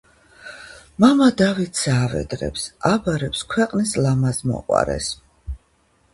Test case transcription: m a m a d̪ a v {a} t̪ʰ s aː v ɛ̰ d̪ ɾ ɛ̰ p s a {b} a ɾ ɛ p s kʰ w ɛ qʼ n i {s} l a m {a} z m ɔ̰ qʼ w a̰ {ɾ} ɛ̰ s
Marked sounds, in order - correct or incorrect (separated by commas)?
incorrect, correct, correct, correct, correct